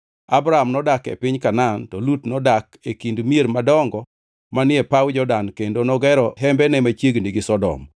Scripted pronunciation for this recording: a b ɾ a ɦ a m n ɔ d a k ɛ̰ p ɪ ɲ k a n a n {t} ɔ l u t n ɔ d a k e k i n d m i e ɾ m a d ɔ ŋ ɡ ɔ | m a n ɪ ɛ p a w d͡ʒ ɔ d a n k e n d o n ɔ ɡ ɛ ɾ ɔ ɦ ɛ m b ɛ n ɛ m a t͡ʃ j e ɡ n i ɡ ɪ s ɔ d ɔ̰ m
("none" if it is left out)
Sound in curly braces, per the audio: t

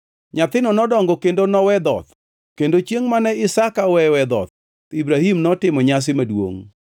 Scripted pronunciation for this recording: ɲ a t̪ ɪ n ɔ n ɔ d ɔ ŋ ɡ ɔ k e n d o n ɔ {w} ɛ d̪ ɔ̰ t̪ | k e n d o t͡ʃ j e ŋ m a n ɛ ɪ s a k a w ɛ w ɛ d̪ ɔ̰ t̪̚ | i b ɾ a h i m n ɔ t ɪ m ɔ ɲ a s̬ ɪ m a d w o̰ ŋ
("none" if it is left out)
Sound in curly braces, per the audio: w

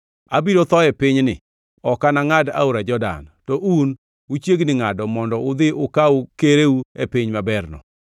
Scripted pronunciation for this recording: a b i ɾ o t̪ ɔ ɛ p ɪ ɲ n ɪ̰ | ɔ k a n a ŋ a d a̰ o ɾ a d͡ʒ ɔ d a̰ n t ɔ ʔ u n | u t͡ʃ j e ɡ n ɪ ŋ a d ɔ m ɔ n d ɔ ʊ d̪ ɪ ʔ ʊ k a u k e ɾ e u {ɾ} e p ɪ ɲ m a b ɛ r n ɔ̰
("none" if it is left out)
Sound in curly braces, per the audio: none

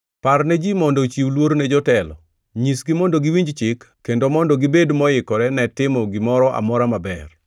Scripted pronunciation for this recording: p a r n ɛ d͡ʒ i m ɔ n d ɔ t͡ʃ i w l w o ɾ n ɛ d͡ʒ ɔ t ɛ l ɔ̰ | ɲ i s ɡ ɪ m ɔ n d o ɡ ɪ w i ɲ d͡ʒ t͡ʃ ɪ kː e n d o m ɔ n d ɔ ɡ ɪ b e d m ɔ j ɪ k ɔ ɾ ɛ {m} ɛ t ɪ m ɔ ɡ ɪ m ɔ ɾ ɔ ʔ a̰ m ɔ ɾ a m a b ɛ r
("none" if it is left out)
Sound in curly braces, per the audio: n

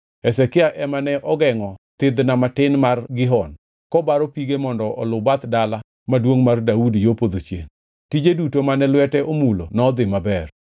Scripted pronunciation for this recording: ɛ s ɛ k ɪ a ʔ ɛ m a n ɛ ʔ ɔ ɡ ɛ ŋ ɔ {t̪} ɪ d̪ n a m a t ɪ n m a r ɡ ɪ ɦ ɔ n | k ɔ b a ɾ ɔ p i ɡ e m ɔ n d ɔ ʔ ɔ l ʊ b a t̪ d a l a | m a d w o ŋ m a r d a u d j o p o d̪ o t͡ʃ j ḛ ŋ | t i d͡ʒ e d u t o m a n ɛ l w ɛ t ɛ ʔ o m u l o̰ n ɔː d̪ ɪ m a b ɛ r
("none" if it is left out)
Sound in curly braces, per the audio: t̪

